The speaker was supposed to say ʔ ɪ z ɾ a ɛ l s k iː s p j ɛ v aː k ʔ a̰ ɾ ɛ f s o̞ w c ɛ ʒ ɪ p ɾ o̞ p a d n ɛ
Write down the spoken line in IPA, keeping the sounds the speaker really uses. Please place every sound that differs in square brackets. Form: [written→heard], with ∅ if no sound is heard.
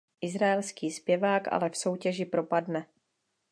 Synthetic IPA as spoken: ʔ ɪ z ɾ a ɛ l s k iː s p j ɛ v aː k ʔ a̰ [ɾ→l] ɛ f s o̞ w c ɛ ʒ ɪ p ɾ o̞ p a d n ɛ